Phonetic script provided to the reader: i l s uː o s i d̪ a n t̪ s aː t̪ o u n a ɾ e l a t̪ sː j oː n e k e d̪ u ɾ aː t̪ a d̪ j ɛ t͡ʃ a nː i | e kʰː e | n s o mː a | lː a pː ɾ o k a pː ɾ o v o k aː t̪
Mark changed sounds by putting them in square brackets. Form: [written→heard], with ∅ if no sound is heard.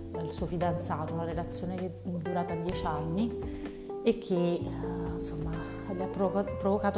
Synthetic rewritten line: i l s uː o [s→f] i d̪ a n t̪ s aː t̪ o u n a ɾ e l a t̪ sː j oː n e k e d̪ u ɾ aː t̪ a d̪ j ɛ t͡ʃ a nː i | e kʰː e | n s o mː a | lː a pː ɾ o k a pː ɾ o v o k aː t̪